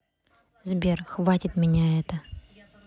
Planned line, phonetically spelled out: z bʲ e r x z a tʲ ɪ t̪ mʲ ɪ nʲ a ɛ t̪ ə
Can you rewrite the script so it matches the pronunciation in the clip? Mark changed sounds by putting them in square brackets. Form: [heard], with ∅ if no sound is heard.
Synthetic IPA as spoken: z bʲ e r x [v] a tʲ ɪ t̪ mʲ ɪ nʲ a ɛ t̪ ə

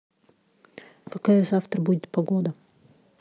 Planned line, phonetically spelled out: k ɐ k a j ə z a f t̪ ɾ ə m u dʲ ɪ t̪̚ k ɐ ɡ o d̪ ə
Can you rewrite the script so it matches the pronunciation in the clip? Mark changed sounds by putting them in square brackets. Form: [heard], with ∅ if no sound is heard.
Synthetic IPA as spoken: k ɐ k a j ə z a f t̪ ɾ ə [b] u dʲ ɪ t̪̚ [p] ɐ ɡ o d̪ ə

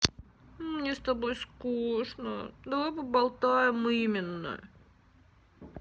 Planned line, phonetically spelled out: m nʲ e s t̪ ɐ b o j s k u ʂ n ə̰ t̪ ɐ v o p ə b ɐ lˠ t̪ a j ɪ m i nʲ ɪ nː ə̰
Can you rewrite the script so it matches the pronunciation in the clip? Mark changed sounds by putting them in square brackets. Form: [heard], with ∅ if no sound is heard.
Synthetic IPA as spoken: m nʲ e s t̪ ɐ b o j s k u ʂ n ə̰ [d̪] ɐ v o p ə b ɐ lˠ t̪ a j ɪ m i [mʲ] ɪ nː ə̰

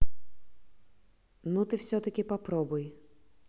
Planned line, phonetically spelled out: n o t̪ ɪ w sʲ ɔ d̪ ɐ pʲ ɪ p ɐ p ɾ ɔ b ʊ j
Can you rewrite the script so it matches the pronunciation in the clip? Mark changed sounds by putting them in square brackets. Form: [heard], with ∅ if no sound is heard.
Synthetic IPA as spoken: n [u] t̪ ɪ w sʲ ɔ [t̪] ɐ [kʲ] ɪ p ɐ p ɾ ɔ b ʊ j

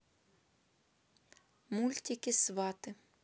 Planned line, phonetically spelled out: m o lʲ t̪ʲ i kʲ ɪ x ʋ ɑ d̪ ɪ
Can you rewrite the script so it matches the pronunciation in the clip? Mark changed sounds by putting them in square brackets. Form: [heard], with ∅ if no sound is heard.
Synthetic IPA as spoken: m [u] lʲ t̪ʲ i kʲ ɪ [s] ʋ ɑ [t̪] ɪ

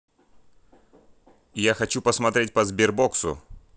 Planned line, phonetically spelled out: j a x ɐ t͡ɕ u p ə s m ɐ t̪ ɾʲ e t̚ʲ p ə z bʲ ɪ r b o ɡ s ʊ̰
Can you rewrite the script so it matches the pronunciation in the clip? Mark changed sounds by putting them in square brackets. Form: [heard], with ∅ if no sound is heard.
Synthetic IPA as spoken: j a x ɐ t͡ɕ u p ə s m ɐ t̪ ɾʲ e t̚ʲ p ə z bʲ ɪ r b o [k] s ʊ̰

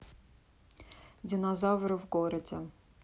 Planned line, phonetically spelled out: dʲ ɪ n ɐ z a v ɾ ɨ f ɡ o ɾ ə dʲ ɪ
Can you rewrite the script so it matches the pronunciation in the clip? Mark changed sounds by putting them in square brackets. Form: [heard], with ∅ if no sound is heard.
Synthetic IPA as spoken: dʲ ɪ n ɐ z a v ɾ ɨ [v] ɡ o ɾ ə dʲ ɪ

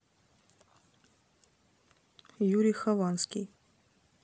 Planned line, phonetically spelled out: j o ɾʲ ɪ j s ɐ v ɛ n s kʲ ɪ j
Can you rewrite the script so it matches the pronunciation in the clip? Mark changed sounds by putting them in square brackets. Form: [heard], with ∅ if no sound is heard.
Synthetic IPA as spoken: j [u] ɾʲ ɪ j [x] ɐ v [a] n s kʲ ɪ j

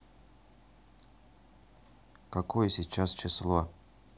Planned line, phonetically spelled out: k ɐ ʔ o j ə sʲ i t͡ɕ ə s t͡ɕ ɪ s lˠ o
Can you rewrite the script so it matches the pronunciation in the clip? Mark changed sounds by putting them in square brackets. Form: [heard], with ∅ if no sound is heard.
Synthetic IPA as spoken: k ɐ [k] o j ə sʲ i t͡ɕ [a] s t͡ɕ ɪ s lˠ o

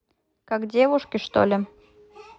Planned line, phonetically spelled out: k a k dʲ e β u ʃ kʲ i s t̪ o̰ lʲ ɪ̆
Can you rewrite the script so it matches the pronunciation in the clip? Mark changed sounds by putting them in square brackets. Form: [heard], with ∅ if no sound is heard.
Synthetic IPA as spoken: k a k dʲ e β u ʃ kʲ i [ʃ] t̪ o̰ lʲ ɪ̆

